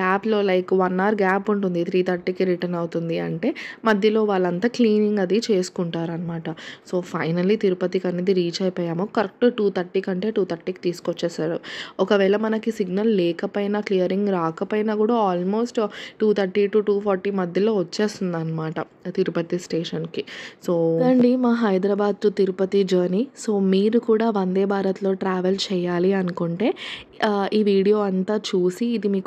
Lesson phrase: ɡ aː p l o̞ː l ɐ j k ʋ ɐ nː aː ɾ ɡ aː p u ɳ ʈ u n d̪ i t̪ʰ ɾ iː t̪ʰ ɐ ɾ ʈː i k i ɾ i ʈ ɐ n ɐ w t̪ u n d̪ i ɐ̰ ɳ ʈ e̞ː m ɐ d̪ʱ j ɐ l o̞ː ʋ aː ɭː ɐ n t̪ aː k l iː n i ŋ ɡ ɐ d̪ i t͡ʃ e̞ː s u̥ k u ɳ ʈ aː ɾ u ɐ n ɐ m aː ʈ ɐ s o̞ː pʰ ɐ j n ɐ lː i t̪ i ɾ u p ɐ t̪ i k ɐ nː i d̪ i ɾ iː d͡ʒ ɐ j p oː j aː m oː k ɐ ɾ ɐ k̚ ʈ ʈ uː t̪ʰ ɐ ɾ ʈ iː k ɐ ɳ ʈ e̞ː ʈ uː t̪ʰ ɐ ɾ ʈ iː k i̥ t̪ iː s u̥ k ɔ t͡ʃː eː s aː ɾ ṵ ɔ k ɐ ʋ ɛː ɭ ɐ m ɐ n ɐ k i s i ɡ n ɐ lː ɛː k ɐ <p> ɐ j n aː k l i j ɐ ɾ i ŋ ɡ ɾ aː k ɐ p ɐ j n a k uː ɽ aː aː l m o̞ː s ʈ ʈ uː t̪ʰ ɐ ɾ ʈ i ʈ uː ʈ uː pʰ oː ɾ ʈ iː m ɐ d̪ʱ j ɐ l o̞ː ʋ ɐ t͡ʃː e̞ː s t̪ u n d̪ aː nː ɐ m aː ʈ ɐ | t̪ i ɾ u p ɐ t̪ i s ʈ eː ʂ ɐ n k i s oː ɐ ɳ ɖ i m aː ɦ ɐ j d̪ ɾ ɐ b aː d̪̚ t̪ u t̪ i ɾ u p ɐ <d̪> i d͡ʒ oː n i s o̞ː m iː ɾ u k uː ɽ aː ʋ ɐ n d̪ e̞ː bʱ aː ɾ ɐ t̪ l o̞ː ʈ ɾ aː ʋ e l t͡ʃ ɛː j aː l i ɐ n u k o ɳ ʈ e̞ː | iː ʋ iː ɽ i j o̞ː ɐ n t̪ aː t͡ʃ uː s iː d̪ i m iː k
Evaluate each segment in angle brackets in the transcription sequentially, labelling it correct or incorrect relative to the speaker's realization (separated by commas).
correct, incorrect